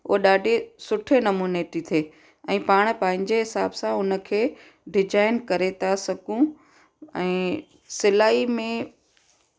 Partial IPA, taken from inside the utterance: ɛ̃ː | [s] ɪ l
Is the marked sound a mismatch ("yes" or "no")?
no